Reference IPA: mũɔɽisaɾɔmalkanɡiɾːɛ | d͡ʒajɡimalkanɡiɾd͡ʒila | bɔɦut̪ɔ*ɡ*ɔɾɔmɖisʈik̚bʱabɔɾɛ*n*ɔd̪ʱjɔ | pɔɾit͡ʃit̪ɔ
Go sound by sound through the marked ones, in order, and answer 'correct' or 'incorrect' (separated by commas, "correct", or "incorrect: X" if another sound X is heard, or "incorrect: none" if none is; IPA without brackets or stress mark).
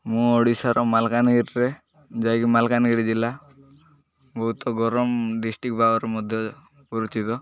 correct, incorrect: m